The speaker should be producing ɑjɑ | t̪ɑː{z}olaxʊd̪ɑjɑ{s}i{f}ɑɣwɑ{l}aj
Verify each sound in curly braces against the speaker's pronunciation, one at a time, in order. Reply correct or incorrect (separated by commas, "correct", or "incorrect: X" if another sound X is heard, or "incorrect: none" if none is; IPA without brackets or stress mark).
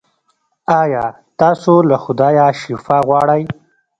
incorrect: s, incorrect: ʃ, correct, incorrect: ɽ